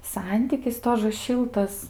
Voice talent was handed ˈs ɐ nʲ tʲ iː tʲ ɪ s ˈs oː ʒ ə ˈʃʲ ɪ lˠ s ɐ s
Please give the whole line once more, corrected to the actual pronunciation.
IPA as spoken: ˈs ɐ nʲ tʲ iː kʲ ɪ s ˈt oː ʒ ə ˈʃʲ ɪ lˠ t ɐ s